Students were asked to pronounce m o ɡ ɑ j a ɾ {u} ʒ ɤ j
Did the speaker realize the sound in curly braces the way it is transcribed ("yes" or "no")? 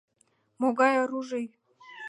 yes